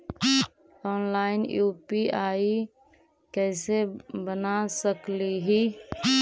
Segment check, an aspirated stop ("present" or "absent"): absent